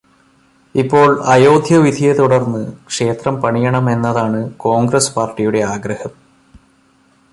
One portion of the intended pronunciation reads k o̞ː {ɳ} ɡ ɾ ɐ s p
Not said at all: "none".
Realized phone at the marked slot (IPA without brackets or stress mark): ŋ